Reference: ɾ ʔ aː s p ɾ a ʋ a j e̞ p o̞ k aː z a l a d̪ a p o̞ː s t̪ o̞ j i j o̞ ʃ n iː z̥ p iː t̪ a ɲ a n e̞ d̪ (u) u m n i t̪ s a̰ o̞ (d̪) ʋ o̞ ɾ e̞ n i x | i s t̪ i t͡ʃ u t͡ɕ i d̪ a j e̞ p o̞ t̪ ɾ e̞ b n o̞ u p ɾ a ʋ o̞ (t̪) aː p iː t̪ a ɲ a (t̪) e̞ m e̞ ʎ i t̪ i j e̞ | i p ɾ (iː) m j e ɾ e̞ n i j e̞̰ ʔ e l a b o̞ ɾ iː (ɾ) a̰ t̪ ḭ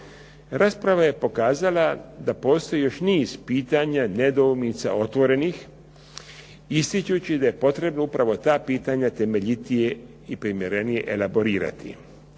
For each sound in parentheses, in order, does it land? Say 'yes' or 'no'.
no, no, yes, yes, no, yes

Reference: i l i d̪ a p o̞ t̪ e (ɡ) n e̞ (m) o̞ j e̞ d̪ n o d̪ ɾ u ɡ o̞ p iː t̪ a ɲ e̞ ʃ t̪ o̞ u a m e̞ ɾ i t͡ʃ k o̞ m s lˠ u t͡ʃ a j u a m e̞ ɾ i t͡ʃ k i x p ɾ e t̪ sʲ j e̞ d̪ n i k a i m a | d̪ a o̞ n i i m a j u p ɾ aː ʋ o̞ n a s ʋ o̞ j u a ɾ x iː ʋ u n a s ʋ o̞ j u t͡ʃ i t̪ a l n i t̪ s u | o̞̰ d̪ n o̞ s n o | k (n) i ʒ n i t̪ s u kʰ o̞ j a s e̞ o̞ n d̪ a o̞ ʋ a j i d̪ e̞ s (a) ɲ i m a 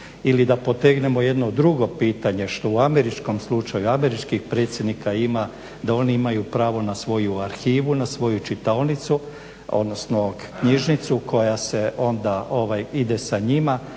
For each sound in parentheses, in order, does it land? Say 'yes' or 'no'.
yes, yes, no, yes

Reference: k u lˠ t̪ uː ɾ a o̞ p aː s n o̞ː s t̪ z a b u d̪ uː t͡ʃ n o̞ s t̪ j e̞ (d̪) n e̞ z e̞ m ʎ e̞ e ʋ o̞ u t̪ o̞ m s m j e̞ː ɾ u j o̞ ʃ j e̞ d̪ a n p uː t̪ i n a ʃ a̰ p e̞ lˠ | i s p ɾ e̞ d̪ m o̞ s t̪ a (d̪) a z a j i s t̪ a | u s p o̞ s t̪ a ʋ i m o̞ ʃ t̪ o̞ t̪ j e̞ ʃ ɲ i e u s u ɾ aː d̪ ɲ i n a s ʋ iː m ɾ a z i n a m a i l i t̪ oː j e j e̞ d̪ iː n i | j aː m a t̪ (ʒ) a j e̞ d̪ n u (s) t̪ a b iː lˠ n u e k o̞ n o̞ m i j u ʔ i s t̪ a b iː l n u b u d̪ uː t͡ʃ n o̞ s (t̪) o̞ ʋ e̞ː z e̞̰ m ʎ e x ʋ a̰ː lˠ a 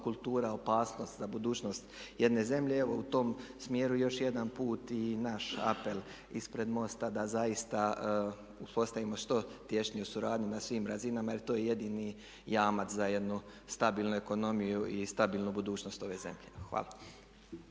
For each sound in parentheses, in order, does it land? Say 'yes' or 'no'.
yes, yes, no, yes, yes

